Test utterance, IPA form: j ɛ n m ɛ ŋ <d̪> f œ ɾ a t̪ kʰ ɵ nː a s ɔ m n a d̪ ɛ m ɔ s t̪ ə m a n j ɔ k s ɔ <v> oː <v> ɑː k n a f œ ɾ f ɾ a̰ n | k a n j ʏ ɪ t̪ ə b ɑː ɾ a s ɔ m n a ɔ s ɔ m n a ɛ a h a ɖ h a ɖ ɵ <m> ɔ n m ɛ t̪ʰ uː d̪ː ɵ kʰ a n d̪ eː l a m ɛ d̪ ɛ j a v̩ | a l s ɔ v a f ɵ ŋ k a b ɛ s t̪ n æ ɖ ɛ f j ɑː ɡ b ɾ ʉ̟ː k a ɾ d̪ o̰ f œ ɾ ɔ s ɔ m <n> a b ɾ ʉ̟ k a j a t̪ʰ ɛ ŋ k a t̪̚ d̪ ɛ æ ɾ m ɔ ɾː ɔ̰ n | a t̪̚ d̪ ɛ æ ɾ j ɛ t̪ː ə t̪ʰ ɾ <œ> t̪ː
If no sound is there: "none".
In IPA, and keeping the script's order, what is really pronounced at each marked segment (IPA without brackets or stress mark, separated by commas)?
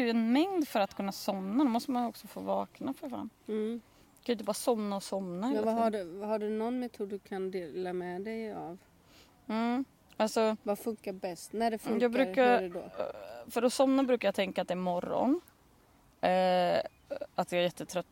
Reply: d̪, f, v, n, n, œ